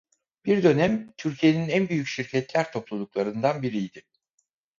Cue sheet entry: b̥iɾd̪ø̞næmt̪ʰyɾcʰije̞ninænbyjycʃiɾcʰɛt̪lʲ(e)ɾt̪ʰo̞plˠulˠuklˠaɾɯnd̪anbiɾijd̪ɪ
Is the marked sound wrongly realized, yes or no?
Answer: yes